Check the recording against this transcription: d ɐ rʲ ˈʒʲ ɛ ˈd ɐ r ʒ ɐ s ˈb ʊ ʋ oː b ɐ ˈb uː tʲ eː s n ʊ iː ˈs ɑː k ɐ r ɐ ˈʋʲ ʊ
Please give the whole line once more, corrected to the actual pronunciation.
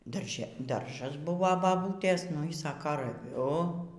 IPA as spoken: d ɐ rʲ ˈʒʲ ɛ ˈd ɐ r ʒ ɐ s ˈb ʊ ʋ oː b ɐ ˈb uː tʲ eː s n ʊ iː ˈs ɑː k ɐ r ɐ ˈʋʲ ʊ